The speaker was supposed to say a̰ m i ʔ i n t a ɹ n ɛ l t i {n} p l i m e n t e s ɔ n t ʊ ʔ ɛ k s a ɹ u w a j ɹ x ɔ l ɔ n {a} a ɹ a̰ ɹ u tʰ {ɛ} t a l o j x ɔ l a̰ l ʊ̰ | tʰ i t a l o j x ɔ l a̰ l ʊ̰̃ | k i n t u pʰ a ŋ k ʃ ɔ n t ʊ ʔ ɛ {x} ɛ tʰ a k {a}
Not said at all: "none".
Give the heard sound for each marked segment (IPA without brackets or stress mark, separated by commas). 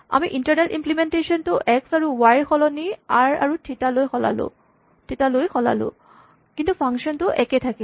m, i, i, k, i